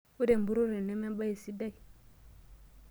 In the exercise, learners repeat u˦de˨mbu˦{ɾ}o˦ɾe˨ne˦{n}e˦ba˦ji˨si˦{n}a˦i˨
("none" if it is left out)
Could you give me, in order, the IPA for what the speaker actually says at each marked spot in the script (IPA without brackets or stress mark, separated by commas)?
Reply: ɾ, m, d